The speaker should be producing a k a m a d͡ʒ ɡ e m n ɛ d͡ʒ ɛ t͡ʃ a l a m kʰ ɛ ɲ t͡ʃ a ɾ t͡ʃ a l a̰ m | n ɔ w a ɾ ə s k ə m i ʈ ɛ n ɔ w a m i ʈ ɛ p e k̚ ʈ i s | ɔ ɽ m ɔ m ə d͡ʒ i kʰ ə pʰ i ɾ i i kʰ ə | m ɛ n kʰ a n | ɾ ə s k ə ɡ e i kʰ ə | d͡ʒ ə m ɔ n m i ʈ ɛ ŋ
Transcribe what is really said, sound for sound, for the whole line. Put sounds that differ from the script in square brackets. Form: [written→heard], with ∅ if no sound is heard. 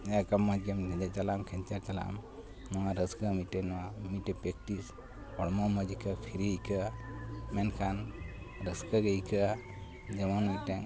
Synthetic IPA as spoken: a k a m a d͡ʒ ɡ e m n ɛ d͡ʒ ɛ t͡ʃ a l a m kʰ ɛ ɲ t͡ʃ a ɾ t͡ʃ a l a̰ m | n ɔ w a ɾ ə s k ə m i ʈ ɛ n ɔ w a m i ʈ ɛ p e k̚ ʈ i s | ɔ ɽ m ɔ m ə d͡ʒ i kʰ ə pʰ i ɾ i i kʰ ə | m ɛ n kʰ a n | ɾ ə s k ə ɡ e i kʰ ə | d͡ʒ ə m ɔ n m i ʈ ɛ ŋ

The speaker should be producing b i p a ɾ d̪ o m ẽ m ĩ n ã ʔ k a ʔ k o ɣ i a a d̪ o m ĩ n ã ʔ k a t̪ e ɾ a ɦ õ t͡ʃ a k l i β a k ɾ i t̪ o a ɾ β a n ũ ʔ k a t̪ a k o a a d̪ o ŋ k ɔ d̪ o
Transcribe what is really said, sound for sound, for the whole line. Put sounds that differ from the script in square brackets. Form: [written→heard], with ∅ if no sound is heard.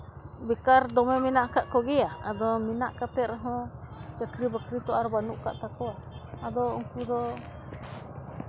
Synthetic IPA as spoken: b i [p→k] a ɾ d̪ o m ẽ m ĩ n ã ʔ k a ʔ k o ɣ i a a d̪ o m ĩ n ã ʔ k a t̪ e ɾ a ɦ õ t͡ʃ a k [l→ɾ] i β a k ɾ i t̪ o a ɾ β a n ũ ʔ k a t̪ a k o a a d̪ o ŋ k [ɔ→u] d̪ o

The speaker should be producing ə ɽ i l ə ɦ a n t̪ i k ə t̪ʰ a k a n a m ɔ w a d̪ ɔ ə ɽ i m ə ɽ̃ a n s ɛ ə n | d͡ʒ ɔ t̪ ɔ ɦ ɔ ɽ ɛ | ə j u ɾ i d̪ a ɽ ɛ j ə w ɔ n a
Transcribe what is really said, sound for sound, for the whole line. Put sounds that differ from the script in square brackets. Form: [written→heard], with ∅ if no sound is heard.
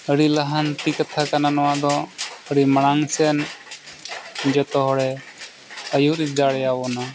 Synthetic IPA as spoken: ə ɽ i l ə ɦ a n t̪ i k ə t̪ʰ a k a n a [m→n] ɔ w a d̪ ɔ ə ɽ i m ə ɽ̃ a [n→ŋ] s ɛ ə n | d͡ʒ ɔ t̪ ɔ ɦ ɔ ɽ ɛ | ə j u ɾ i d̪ a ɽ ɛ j [ə→a] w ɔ n a

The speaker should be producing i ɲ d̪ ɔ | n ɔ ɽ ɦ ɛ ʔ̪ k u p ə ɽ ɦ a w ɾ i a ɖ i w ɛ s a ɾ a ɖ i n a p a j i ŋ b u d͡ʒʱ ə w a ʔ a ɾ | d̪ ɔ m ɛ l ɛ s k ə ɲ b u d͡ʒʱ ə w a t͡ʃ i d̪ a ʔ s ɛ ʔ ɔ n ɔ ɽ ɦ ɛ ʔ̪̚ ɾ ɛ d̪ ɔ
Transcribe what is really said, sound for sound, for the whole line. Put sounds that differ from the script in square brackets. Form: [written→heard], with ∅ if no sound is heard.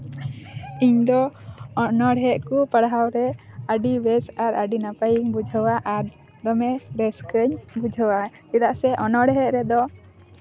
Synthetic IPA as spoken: i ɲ d̪ ɔ | n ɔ ɽ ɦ ɛ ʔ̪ k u p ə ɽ ɦ a w ɾ [i→ɛ] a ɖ i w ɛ s a ɾ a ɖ i n a p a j i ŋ b u d͡ʒʱ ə w a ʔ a ɾ | d̪ ɔ m ɛ [l→ɾ] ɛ s k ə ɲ b u d͡ʒʱ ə w a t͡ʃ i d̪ a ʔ s ɛ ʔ ɔ n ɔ ɽ ɦ ɛ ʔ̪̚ ɾ ɛ d̪ ɔ

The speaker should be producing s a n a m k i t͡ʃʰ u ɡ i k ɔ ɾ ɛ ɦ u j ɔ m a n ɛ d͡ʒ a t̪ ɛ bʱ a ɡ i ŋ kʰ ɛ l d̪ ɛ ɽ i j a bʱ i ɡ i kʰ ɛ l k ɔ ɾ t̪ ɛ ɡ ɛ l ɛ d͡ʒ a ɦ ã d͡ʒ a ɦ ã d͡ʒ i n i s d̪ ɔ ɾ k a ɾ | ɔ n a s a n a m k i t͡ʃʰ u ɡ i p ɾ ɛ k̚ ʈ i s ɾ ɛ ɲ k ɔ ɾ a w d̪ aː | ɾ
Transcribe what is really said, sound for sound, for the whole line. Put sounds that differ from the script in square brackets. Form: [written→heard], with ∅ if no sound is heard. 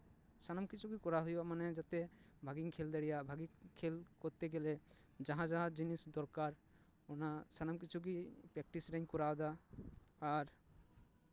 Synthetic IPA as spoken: s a n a m k i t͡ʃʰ u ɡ i k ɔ ɾ [ɛ→a] ɦ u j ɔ m a n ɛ d͡ʒ a t̪ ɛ bʱ a ɡ i ŋ kʰ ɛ l d̪ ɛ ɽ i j a bʱ [i→a] ɡ i kʰ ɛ l k ɔ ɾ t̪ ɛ ɡ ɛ l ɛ d͡ʒ a ɦ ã d͡ʒ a ɦ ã d͡ʒ i n i s d̪ ɔ ɾ k a ɾ | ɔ n a s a n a m k i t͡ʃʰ u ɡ i p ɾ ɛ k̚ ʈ i s ɾ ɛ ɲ k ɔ ɾ a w d̪ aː | ɾ

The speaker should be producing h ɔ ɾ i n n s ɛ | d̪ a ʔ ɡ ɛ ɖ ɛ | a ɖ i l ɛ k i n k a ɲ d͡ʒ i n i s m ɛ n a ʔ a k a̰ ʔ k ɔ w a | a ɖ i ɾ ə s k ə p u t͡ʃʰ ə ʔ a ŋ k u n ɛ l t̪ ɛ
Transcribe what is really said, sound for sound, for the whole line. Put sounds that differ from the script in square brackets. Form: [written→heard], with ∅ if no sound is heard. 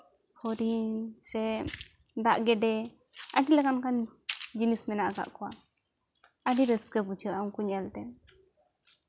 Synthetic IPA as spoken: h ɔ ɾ i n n s ɛ | d̪ a ʔ ɡ ɛ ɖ ɛ | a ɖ i l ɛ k [i→a] n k a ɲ d͡ʒ i n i s m ɛ n a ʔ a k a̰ ʔ k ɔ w a | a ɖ i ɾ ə s k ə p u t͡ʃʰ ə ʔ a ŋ k u [n→ɲ] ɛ l t̪ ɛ

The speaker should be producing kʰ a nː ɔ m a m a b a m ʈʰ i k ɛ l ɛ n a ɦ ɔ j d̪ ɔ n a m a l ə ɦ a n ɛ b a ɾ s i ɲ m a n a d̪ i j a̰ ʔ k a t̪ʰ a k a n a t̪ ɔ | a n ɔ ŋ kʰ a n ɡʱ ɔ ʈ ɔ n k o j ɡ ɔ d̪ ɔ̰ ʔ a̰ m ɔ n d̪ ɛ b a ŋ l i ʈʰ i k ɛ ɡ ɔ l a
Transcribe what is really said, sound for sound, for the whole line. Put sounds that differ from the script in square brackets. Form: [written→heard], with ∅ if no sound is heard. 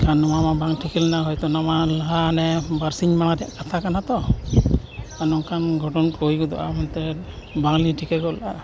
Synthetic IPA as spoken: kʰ a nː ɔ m a m a b a [m→ŋ] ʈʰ i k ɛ l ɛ n a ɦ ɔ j [d̪→t̪] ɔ n a m a l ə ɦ a n ɛ b a ɾ s i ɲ m a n a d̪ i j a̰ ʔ k a t̪ʰ a k a n a t̪ ɔ | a n ɔ ŋ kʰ a n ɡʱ ɔ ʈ ɔ n k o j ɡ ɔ d̪ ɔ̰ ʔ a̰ m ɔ n [d̪→t̪] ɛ b a ŋ l i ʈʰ i k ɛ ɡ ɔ l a

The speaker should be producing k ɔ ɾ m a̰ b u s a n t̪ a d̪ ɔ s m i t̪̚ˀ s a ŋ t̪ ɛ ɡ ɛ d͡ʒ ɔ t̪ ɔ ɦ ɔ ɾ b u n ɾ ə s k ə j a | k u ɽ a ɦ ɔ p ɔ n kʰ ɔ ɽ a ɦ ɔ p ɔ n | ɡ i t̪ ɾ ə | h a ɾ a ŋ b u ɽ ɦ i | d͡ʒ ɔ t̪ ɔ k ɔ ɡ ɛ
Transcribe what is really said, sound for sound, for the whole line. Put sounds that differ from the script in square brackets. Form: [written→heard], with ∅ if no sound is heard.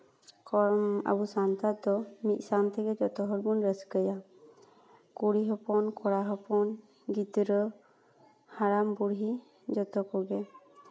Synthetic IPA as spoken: k ɔ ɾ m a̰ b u s a n t̪ a d̪ ɔ [s→∅] m i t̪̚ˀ s a [ŋ→n] t̪ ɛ ɡ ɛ d͡ʒ ɔ t̪ ɔ ɦ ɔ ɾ b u n ɾ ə s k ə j a | k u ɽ [a→i] ɦ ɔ p ɔ n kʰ ɔ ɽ a ɦ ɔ p ɔ n | ɡ i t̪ ɾ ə | h a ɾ a [ŋ→m] b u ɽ ɦ i | d͡ʒ ɔ t̪ ɔ k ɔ ɡ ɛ

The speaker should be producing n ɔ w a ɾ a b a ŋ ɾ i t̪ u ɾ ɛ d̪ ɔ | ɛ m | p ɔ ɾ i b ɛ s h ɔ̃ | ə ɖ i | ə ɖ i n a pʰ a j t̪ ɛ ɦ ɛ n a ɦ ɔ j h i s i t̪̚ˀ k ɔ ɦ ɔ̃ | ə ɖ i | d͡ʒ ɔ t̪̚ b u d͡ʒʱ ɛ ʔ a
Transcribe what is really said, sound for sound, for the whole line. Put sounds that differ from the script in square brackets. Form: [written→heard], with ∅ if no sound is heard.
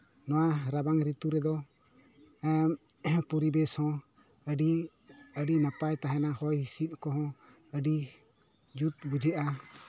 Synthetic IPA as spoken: n ɔ w a ɾ a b a ŋ ɾ i t̪ u ɾ ɛ d̪ ɔ | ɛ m | p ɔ ɾ i b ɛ s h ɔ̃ | ə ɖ i | ə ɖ i n a [pʰ→p] a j t̪ [ɛ→a] ɦ ɛ n a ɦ ɔ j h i s i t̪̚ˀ k ɔ ɦ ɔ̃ | ə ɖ i | d͡ʒ [ɔ→u] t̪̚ b u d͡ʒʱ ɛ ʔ a

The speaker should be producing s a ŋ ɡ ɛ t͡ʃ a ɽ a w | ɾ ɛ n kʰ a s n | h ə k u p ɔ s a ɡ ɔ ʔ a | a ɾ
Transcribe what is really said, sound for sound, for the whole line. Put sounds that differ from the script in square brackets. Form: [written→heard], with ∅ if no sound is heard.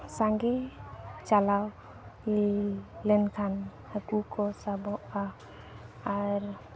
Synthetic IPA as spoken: s a ŋ ɡ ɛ t͡ʃ a [ɽ→l] a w | [ɾ→l] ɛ n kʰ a [s→∅] n | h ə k u [p→k] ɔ s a [ɡ→b] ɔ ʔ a | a ɾ

